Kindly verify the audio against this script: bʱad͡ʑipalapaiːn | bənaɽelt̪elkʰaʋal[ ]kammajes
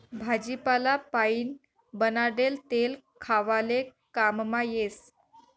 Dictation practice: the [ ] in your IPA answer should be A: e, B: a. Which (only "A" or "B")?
A